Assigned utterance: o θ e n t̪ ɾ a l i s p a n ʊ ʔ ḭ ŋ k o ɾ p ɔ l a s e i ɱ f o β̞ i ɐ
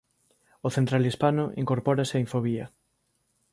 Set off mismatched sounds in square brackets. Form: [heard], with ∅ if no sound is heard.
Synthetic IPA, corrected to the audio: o θ e n t̪ ɾ a l i s p a n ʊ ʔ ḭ ŋ k o ɾ p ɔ [ɾ] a s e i ɱ f o β̞ i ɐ